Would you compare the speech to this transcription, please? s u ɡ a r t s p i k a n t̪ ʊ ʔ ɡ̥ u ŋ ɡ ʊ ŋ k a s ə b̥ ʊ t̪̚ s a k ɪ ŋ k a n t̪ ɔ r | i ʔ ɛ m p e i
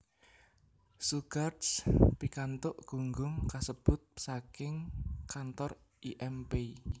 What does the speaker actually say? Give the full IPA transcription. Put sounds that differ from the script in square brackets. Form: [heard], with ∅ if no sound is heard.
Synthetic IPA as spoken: s u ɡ a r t s p i k a n t̪ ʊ ʔ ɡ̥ u ŋ ɡ ʊ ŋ k a s ə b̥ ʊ t̪̚ s a k ɪ ŋ k a n t̪ ɔ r | i ʔ ɛ m p e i